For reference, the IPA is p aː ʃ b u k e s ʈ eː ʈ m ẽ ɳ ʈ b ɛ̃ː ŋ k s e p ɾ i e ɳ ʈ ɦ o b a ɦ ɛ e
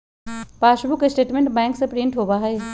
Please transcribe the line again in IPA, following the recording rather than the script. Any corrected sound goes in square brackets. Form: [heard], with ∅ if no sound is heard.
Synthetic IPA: p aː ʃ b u k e s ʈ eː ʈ m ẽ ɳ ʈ b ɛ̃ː ŋ k s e p ɾ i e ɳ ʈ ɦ o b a ɦ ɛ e